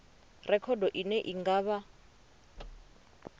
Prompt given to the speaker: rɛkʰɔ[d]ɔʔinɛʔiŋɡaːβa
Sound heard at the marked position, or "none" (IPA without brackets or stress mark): d